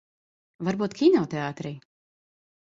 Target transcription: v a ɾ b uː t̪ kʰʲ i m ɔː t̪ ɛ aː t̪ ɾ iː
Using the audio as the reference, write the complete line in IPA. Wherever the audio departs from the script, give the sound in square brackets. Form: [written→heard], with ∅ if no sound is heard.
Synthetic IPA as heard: v a ɾ b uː t̪ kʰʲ i [m→n] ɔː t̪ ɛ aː t̪ ɾ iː